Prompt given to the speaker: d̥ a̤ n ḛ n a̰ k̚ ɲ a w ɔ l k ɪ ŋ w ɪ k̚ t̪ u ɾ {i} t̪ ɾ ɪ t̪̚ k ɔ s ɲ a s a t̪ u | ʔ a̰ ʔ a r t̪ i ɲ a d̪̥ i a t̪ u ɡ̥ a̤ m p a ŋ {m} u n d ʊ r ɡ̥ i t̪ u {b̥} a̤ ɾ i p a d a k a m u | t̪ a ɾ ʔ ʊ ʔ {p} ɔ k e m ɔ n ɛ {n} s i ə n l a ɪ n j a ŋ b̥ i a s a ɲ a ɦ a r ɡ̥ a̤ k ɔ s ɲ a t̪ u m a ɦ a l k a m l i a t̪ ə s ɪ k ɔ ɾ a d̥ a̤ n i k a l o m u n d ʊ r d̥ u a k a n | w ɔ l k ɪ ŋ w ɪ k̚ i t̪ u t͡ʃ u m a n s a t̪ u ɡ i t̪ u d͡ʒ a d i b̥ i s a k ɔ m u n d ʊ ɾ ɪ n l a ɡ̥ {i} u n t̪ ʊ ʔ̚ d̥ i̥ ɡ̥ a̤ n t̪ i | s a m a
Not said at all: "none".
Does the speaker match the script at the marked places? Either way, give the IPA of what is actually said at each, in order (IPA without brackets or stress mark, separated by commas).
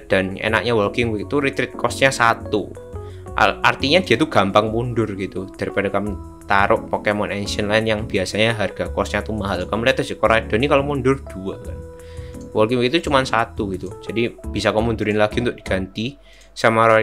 i, m, d̥, p, n, i